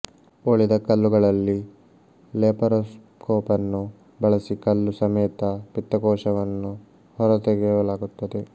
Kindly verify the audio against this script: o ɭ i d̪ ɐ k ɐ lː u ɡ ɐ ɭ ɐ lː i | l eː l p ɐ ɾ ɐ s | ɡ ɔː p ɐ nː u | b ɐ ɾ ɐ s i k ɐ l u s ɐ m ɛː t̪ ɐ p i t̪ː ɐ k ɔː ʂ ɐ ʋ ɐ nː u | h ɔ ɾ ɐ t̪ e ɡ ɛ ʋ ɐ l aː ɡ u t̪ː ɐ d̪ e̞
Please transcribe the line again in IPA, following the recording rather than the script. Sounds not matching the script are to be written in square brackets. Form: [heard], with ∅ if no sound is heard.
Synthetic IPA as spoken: o ɭ i d̪ ɐ k ɐ lː u ɡ ɐ ɭ ɐ lː i | l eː [∅] p ɐ ɾ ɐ s | [k] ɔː p ɐ nː u | b ɐ [ɭ] ɐ s i k ɐ [lː] u s ɐ m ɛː t̪ ɐ p i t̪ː ɐ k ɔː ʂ ɐ ʋ ɐ nː u | h ɔ ɾ ɐ t̪ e ɡ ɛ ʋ ɐ l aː ɡ u t̪ː ɐ d̪ e̞